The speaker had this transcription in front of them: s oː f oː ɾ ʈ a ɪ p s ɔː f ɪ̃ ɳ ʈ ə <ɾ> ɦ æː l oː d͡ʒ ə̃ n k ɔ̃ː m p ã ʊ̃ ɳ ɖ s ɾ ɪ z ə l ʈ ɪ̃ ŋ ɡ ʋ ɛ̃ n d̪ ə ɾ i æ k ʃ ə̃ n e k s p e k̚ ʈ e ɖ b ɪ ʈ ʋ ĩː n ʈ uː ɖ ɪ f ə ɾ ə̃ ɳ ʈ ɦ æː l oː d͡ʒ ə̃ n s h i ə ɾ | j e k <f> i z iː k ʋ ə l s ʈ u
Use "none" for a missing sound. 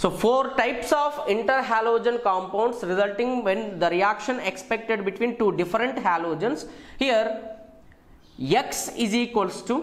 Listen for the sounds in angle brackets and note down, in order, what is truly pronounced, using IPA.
ɾ, s

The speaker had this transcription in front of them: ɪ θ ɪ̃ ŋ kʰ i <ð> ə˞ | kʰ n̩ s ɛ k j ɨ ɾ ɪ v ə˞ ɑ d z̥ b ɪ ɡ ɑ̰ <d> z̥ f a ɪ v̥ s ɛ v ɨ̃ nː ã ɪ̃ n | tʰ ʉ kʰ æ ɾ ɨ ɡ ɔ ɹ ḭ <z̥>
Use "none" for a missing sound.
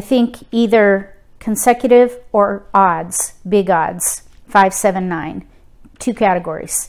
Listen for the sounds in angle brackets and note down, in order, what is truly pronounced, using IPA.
ð, d, z̥

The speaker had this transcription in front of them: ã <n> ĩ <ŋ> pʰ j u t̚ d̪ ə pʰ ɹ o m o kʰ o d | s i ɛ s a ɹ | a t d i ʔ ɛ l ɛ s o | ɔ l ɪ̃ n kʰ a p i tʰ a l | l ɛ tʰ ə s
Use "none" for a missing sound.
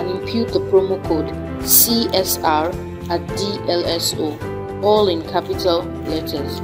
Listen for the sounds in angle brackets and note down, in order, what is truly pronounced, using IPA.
n, m

